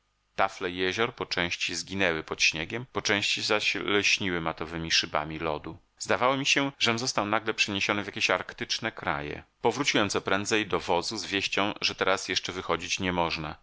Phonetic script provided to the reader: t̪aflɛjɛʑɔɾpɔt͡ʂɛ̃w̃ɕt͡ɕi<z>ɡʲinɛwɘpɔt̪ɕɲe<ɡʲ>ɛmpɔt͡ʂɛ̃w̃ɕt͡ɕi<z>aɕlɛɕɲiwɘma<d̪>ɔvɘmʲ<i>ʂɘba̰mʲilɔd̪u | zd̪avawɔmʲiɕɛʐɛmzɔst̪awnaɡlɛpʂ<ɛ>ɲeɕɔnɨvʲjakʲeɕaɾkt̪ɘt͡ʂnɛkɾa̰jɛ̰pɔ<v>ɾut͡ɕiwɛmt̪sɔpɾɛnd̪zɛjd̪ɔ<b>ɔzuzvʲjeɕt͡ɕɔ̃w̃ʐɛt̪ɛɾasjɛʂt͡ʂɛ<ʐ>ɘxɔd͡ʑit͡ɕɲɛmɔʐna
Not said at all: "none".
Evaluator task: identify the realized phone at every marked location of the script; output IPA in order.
z, ɡʲ, z, t̪, i, ɛ, v, v, v

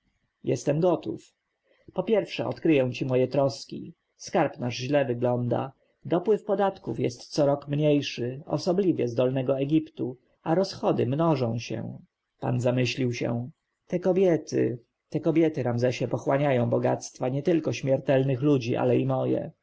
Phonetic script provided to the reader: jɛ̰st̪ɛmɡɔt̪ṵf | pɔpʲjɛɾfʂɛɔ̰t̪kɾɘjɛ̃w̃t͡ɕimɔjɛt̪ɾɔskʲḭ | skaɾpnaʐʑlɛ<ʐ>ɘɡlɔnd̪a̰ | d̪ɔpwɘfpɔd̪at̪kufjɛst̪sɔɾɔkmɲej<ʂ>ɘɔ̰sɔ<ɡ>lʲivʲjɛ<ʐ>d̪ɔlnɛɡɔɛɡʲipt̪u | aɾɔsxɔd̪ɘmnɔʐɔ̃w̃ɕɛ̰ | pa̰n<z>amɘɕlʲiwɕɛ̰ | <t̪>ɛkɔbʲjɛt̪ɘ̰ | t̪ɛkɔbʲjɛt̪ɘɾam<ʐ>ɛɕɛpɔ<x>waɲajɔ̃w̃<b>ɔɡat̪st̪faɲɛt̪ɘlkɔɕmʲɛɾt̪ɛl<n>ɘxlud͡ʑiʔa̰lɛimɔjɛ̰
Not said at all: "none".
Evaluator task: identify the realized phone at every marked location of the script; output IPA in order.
v, ʂ, b, z, z, t̪, z, x, b, n

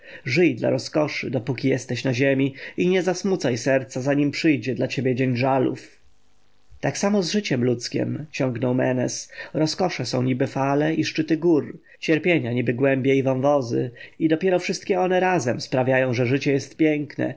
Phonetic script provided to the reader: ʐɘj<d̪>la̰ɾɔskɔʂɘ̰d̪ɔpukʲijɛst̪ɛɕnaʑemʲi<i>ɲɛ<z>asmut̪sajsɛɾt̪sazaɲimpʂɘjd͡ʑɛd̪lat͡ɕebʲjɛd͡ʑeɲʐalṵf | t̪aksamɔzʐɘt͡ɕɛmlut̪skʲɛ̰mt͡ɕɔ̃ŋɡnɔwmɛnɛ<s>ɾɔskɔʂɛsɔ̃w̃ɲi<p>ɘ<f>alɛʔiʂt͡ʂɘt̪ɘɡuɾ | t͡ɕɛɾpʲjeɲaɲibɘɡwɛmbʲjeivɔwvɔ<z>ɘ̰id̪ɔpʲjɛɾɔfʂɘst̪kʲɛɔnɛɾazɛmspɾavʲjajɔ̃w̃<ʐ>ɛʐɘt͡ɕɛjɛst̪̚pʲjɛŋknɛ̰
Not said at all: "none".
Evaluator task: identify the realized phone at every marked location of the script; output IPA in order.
d̪, i, z, s, b, f, z, ʐ

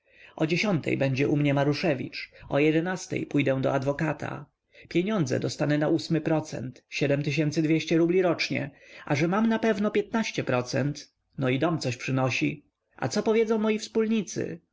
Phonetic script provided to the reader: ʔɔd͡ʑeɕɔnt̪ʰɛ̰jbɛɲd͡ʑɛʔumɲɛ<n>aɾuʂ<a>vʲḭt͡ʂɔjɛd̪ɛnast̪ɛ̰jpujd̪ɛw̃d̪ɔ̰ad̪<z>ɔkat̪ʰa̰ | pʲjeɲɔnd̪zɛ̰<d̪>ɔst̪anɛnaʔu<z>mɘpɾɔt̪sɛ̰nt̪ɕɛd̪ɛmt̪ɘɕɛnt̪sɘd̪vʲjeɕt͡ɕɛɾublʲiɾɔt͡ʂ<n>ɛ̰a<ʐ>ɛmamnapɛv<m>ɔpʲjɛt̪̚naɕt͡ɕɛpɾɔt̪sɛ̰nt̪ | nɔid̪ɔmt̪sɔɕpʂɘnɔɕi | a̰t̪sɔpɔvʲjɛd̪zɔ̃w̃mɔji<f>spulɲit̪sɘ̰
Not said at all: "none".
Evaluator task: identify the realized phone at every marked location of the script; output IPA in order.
m, ɛ, v, d̪, s, ɲ, ʐ, n, f

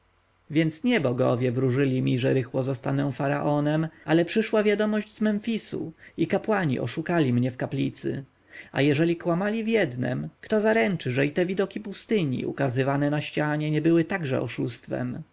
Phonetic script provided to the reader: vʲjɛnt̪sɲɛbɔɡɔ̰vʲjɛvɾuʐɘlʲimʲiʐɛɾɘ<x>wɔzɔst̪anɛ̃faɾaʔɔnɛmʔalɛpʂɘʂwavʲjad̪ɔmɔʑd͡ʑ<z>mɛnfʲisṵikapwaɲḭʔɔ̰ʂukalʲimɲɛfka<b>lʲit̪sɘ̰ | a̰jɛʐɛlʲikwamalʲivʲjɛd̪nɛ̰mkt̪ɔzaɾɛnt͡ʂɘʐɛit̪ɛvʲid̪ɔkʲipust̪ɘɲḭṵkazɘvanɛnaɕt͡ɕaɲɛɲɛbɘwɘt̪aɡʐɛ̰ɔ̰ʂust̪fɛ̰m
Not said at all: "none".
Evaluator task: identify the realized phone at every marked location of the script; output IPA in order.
x, z, p

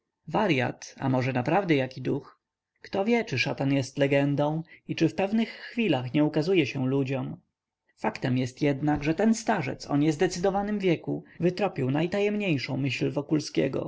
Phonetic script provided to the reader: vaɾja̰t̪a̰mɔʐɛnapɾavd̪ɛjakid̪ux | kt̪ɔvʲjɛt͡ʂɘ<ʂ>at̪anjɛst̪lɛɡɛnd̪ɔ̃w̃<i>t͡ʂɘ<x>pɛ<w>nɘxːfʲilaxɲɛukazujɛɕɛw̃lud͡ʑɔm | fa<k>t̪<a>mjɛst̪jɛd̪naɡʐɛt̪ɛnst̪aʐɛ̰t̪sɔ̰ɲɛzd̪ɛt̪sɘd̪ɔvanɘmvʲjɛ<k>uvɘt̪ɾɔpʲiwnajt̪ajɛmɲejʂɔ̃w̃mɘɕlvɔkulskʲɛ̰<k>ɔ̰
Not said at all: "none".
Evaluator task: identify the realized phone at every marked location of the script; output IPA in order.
ʂ, i, f, v, k, ɛ, k, ɡ

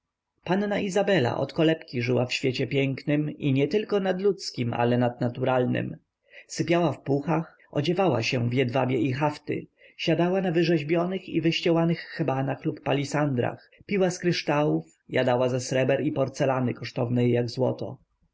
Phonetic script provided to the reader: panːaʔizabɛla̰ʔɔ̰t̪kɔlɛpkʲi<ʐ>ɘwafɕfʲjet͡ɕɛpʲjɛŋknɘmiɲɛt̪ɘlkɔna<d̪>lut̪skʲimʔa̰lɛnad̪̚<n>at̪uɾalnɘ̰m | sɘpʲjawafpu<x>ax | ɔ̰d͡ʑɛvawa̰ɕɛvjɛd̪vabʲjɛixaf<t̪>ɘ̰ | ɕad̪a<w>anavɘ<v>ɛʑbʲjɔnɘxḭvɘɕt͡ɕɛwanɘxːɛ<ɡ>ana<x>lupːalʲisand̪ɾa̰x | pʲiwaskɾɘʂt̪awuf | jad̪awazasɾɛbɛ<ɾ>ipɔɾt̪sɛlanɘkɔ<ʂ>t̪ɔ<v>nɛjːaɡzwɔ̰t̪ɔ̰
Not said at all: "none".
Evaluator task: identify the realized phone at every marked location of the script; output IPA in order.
ʐ, d̪, n, x, t̪, w, ʐ, b, x, ɾ, ʂ, v

